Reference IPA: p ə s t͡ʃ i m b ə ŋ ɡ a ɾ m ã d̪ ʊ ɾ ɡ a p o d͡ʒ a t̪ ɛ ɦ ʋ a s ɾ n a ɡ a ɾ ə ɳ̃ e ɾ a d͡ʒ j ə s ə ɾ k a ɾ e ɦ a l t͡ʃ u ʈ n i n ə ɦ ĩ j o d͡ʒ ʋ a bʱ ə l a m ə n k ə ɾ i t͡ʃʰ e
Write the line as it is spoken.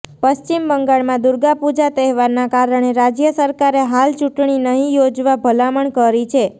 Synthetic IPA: p ə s t͡ʃ i m b ə ŋ ɡ a ɭ m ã d̪ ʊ ɾ ɡ a p u d͡ʒ a t̪ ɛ ɦ ʋ a ɾ n a k a ɾ ə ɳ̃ e ɾ a d͡ʒ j ə s ə ɾ k a ɾ e ɦ a l t͡ʃ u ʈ ɳ i n ə ɦ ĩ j o d͡ʒ ʋ a bʱ ə l a m ə ɳ k ə ɾ i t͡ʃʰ e